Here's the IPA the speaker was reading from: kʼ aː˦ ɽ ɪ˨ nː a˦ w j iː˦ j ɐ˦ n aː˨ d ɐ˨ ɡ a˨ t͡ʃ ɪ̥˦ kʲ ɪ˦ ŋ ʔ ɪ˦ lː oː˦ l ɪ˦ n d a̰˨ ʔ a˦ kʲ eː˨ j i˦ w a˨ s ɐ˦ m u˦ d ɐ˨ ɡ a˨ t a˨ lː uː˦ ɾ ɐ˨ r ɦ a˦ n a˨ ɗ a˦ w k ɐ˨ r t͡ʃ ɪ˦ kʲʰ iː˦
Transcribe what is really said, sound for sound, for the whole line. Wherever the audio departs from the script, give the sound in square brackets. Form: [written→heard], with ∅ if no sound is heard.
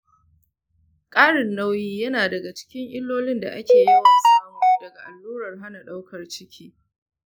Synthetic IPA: kʼ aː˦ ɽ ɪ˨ nː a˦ w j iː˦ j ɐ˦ n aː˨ d ɐ˨ ɡ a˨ t͡ʃ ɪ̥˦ kʲ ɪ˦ ŋ ʔ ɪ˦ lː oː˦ l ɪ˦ n d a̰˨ ʔ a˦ kʲ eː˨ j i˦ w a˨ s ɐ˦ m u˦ d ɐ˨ ɡ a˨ [t→ʔ] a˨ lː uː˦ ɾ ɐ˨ r ɦ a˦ n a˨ ɗ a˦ w k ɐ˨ r t͡ʃ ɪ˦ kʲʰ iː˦